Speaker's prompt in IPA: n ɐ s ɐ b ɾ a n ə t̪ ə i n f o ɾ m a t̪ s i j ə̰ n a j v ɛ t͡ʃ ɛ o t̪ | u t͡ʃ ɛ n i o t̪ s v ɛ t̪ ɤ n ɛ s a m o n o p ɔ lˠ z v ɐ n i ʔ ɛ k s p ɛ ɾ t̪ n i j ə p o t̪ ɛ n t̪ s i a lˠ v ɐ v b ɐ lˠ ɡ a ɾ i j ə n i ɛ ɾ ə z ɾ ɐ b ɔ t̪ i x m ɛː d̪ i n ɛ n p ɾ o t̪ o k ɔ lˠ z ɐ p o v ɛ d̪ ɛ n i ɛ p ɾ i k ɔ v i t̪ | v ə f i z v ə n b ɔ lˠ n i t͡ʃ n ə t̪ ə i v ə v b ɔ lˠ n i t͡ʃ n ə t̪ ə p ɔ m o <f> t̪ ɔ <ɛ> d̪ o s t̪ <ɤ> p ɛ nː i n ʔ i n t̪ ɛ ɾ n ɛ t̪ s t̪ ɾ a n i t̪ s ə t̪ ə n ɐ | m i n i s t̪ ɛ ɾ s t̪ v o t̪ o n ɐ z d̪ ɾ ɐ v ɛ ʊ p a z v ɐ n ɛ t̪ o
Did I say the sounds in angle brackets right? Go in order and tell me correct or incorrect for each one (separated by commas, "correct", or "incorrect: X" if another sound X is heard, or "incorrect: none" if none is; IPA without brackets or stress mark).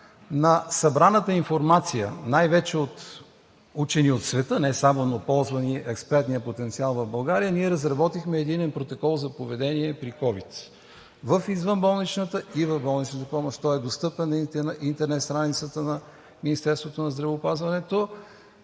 incorrect: ʃ, correct, correct